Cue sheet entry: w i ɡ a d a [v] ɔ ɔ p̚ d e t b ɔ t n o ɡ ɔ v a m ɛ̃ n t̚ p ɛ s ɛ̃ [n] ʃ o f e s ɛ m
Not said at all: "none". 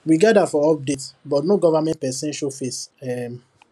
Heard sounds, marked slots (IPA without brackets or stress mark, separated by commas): f, n